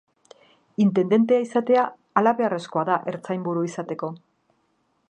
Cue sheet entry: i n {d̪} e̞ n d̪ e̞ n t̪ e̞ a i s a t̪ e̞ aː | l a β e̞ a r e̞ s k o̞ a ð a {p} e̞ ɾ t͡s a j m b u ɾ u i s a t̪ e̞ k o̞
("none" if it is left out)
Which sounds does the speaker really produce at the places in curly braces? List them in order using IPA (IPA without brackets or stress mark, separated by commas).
t̪, ʔ